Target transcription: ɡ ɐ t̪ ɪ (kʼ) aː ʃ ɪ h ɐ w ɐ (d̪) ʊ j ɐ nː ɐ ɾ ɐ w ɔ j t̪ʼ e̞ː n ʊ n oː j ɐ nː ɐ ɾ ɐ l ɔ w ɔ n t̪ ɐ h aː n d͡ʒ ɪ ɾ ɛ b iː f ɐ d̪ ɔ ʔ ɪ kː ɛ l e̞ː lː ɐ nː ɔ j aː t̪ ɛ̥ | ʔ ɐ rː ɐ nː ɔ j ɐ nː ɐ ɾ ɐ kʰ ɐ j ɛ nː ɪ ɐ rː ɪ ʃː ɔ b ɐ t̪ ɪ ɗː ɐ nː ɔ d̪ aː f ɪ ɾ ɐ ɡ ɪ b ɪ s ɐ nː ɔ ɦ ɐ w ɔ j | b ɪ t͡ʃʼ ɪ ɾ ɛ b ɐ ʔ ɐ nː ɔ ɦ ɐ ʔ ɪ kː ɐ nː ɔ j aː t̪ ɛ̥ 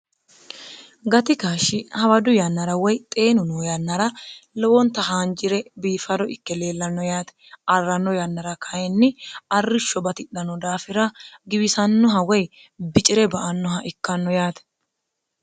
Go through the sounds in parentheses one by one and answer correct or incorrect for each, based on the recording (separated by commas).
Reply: incorrect, correct